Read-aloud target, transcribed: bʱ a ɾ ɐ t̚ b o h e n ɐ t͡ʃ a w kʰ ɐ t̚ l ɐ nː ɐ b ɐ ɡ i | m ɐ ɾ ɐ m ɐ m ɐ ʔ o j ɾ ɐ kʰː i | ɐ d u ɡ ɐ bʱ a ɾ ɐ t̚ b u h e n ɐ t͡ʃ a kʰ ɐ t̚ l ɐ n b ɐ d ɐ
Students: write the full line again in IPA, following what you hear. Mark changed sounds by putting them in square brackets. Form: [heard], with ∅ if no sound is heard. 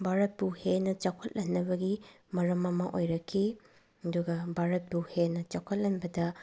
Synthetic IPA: bʱ a ɾ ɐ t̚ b [u] h e n ɐ t͡ʃ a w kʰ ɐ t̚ l ɐ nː ɐ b ɐ ɡ i | m ɐ ɾ ɐ m ɐ m ɐ ʔ o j ɾ ɐ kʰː i | ɐ d u ɡ ɐ bʱ a ɾ ɐ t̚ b u h e n ɐ t͡ʃ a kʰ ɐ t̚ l ɐ n b ɐ d ɐ